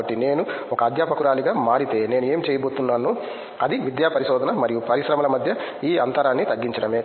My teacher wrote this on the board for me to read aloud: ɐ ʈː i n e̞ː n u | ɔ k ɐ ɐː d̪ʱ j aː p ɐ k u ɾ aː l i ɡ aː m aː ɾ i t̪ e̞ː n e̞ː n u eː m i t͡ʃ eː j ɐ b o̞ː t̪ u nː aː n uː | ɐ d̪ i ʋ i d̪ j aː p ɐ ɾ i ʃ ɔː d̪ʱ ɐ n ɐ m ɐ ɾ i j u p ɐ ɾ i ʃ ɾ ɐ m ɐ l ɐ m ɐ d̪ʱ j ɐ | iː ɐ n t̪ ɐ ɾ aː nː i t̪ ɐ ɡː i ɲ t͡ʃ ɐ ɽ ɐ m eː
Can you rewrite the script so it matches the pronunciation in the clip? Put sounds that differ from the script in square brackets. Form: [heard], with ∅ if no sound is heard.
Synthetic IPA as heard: ɐ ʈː i n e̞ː n u | ɔ k ɐ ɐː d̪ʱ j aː p ɐ k u ɾ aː l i ɡ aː m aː ɾ i t̪ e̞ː n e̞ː n u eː m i t͡ʃ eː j ɐ b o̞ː t̪ u nː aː n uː | ɐ d̪ i ʋ i d̪ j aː p ɐ ɾ i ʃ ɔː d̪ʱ ɐ n ɐ m ɐ ɾ i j u p ɐ ɾ i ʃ ɾ ɐ m ɐ l ɐ m ɐ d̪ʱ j ɐ | iː ɐ n t̪ ɐ ɾ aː nː i t̪ ɐ ɡː i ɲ t͡ʃ ɐ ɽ ɐ m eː